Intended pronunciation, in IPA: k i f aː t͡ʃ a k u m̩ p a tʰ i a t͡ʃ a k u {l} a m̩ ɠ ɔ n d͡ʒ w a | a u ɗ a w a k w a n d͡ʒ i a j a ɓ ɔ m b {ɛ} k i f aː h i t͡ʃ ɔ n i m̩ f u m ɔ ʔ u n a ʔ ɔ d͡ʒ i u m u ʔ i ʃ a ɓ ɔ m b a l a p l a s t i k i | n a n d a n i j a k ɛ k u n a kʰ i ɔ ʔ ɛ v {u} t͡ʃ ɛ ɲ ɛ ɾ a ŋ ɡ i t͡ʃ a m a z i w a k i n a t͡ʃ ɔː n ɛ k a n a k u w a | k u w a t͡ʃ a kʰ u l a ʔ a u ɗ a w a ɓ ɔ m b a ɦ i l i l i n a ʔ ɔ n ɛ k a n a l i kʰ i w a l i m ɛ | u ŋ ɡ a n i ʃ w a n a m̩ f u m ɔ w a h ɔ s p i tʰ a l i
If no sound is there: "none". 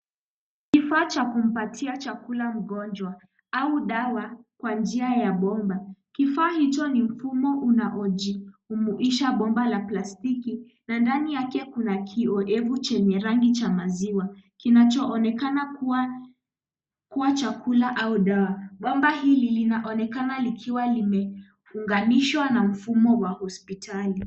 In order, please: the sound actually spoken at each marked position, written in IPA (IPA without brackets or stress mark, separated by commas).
l, a, u